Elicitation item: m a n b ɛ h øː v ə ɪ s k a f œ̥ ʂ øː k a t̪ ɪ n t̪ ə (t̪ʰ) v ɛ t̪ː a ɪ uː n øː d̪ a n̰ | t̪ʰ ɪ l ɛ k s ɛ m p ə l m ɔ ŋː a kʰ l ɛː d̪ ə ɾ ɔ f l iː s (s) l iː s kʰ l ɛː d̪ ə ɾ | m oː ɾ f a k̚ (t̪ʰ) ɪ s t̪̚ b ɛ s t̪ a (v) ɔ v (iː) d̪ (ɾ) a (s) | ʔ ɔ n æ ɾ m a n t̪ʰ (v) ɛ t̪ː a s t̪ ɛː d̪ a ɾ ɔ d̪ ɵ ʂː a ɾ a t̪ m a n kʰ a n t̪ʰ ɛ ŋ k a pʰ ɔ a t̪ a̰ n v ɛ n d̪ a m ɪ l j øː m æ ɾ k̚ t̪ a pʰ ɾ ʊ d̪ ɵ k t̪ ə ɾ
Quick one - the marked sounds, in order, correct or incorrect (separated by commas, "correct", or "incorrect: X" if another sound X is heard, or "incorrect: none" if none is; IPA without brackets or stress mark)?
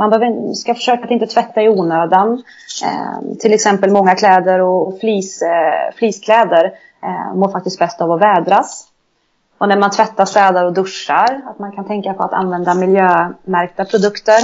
correct, incorrect: f, incorrect: t̪, correct, incorrect: ɛː, correct, correct, correct